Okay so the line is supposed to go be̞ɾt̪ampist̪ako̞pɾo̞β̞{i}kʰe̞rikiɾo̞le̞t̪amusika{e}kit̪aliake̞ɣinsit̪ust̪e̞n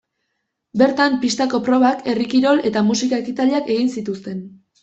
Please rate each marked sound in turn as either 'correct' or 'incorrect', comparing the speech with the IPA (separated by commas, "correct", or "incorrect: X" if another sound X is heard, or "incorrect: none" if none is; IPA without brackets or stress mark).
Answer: incorrect: a, correct